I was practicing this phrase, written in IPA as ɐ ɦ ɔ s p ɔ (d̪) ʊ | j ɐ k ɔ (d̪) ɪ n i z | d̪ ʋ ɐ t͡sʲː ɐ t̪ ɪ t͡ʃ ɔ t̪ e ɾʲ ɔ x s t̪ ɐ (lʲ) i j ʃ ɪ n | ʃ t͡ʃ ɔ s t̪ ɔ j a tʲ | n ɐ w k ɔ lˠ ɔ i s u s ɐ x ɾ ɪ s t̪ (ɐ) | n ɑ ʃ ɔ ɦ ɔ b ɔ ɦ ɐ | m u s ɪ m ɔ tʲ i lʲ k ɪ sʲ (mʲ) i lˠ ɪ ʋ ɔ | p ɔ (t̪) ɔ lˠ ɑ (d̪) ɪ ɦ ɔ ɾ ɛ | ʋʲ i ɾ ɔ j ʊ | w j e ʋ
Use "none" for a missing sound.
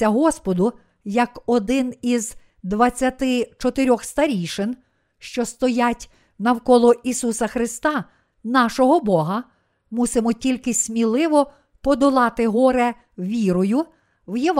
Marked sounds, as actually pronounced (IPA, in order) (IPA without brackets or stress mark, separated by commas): d̪, d̪, ɾʲ, ɑ, mʲ, d̪, t̪